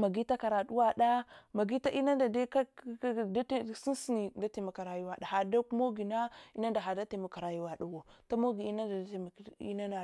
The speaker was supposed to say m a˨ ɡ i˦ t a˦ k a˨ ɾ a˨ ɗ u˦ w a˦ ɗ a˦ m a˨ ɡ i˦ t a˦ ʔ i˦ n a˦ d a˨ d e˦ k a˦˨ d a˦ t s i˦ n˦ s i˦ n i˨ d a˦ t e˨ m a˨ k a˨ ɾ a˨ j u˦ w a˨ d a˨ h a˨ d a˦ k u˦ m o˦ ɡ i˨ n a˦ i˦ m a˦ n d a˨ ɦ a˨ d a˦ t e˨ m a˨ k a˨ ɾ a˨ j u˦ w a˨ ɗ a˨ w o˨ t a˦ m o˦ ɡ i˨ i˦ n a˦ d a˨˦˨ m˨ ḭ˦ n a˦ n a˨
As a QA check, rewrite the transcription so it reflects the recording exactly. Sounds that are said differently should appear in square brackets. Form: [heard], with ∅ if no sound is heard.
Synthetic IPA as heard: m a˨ ɡ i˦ t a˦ k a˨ ɾ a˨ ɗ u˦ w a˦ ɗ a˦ m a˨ ɡ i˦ t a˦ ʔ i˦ n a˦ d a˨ d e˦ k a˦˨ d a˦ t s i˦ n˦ s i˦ n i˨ d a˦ t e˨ m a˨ k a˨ ɾ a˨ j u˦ w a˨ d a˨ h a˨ d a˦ k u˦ m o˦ ɡ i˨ n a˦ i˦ [n] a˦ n d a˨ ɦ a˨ d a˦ t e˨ m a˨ k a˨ ɾ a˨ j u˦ w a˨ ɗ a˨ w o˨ t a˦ m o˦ ɡ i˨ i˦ n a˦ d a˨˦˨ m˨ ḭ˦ n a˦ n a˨

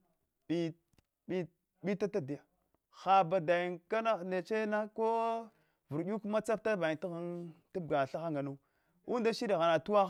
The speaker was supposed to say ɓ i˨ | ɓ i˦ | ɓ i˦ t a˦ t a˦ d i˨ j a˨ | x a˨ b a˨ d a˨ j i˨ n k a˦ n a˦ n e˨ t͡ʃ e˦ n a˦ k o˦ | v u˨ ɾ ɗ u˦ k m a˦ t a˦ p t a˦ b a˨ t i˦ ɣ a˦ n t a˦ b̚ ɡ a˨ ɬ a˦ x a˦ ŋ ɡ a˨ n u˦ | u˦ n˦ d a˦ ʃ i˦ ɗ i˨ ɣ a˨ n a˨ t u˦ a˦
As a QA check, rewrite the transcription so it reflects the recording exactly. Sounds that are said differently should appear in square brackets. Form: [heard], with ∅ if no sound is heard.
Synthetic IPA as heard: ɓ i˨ | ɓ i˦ | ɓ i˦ t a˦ t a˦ d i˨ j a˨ | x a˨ b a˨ d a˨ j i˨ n k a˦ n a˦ n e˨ t͡ʃ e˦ n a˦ k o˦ | v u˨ ɾ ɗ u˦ k m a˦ [t͡s] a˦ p t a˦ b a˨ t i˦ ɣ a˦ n t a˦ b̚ ɡ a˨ ɬ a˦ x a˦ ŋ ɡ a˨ n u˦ | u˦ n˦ d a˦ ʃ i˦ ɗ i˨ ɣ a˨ n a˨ t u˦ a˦

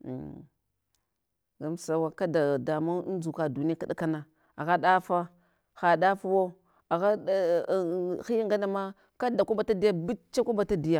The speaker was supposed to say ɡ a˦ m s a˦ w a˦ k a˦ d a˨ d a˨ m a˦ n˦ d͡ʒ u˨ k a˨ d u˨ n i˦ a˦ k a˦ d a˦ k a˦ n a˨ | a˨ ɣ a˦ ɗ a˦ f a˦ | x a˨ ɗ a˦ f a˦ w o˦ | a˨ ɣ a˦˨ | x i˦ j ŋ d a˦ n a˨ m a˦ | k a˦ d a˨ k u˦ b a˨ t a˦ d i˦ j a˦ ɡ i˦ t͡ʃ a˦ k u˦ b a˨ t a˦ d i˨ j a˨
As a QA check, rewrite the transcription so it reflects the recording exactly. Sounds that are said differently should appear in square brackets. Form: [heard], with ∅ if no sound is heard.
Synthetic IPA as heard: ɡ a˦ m s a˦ w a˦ k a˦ d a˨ d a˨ m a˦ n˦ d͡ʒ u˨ k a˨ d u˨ n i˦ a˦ k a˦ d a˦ k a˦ n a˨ | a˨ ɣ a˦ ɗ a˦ f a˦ | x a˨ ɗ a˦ f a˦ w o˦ | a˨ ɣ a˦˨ | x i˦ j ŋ [ɡ] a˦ n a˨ m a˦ | k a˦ d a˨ k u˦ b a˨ t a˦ d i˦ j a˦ [b] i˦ t͡ʃ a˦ k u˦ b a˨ t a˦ d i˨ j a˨

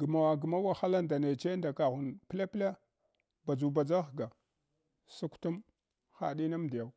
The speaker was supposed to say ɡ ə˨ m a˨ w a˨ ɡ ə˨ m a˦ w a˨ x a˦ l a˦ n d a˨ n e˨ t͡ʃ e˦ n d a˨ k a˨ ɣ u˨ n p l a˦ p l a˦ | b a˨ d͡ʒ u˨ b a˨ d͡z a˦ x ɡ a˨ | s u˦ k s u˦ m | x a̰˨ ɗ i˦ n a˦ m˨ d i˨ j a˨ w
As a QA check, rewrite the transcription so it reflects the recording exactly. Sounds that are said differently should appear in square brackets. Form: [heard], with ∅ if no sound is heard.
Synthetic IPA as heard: ɡ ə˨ m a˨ w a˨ ɡ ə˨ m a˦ w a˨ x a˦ l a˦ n d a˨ n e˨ t͡ʃ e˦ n d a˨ k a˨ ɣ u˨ n p l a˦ p l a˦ | b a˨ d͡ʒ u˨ b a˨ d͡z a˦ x ɡ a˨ | s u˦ k [t] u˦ m | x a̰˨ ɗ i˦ n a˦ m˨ d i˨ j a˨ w

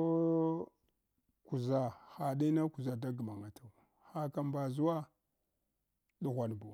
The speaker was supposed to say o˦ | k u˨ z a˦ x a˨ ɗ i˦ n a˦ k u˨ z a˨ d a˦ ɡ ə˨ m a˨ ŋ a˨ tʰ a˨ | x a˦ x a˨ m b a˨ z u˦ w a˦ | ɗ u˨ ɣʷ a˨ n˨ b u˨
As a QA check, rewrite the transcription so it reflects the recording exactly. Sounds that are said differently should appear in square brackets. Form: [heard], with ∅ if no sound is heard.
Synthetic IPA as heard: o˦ | k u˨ z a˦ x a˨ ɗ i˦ n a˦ k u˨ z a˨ d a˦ ɡ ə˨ m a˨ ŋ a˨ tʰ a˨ | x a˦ [k] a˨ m b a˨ z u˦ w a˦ | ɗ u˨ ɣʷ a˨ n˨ b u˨

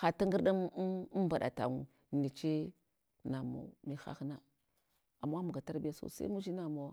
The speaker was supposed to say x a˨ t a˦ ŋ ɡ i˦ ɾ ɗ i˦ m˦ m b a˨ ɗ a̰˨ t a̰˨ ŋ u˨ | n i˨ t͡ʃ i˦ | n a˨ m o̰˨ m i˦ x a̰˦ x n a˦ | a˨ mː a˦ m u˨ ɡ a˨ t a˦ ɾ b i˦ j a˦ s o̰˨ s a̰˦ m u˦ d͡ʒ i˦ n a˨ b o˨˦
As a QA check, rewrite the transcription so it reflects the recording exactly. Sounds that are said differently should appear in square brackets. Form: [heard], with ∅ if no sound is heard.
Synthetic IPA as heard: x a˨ t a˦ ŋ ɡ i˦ ɾ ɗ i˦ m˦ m b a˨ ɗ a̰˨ t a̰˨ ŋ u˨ | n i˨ t͡ʃ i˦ | n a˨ m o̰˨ m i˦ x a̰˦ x n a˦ | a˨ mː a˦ m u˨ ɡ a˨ t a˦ ɾ b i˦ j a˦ s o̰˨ s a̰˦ m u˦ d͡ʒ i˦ n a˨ [m] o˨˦

